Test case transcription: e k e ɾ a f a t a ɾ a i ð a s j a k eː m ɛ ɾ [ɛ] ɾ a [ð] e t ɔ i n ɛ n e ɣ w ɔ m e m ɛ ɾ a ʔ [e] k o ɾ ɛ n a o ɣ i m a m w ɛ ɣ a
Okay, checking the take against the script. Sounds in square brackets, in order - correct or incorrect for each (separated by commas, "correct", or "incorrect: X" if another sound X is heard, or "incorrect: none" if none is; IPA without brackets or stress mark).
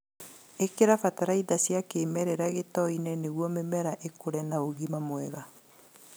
correct, incorrect: ɣ, correct